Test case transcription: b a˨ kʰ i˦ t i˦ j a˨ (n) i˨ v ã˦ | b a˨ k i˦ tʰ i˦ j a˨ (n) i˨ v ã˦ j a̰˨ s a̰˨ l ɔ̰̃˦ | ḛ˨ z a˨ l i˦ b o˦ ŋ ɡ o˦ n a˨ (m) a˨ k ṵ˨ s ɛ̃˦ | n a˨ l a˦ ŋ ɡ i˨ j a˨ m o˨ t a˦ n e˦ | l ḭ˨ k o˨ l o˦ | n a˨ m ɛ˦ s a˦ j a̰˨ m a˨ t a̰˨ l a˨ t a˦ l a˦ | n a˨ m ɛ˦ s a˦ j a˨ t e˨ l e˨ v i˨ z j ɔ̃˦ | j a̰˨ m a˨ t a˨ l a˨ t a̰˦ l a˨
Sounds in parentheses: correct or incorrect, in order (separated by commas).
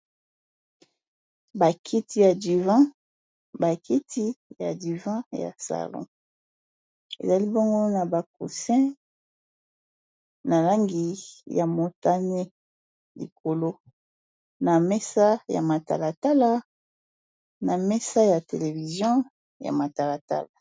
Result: incorrect, incorrect, incorrect